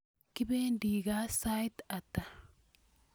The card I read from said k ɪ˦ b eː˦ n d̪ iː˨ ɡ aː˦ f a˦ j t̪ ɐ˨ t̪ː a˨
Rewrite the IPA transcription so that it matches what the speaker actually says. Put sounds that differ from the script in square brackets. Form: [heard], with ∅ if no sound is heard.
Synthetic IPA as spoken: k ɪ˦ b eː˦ n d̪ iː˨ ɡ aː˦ [s] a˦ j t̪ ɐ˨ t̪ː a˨